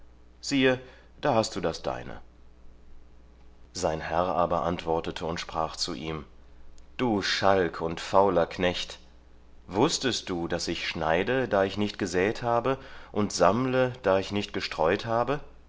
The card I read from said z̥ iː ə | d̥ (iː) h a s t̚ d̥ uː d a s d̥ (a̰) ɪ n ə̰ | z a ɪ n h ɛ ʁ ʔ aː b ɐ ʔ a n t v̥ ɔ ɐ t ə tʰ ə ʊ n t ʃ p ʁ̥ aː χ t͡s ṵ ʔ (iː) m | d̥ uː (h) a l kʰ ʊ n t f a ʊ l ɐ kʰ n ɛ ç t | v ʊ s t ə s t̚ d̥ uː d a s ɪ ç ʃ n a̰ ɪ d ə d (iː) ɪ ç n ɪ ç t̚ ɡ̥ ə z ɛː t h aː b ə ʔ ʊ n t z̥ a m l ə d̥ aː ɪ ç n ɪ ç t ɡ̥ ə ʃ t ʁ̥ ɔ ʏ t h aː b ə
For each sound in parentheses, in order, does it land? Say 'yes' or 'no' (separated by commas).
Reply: no, yes, yes, no, no